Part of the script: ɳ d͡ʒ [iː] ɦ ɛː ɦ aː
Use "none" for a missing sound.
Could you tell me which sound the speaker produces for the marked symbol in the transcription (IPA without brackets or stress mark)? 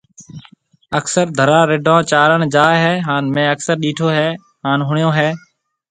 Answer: aː